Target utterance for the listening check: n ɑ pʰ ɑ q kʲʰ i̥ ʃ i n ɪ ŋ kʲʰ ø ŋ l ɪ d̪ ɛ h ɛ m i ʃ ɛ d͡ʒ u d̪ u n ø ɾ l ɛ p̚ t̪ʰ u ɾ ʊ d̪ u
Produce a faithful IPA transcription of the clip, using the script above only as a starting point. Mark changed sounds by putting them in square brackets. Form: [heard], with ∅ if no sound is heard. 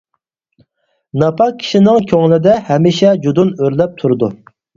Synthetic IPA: n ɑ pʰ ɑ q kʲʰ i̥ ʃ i n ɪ ŋ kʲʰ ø ŋ l ɪ d̪ ɛ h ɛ m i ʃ ɛ d͡ʒ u d̪ u n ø ɾ l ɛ p̚ t̪ʰ u ɾ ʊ d̪ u